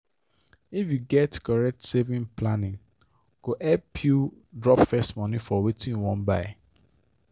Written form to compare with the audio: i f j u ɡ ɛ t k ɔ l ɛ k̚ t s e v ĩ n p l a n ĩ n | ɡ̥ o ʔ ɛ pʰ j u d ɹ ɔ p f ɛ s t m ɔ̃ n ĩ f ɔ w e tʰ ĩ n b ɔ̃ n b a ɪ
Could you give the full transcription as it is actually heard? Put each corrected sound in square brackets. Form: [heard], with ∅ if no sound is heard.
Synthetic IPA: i f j u ɡ ɛ t k ɔ [ɹ] ɛ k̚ t s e v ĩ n p l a n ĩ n | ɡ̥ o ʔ ɛ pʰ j u d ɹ ɔ p f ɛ s t m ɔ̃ n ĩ f ɔ w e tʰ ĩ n [w] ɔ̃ n b a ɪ